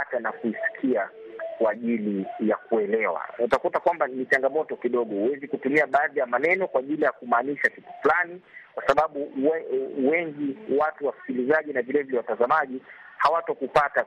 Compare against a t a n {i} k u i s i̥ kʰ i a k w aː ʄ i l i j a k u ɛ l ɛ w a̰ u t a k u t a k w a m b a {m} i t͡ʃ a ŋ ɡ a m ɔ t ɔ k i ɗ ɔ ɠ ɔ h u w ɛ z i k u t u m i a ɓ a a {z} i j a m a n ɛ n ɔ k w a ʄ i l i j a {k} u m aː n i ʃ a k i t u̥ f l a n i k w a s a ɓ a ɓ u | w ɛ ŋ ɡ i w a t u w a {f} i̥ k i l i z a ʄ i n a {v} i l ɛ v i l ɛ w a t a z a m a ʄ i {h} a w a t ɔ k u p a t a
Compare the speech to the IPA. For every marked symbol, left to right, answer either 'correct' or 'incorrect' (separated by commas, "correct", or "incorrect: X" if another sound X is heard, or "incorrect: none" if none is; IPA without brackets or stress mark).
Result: incorrect: a, incorrect: n, incorrect: ð, correct, incorrect: s, correct, correct